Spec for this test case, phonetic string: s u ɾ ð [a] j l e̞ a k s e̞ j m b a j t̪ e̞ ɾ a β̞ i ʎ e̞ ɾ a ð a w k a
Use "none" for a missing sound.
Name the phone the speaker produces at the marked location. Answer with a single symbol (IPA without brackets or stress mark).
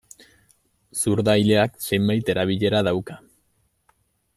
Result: a